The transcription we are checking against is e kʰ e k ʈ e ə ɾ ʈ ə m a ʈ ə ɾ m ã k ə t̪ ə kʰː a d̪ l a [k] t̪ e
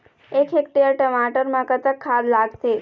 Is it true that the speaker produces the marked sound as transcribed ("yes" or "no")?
no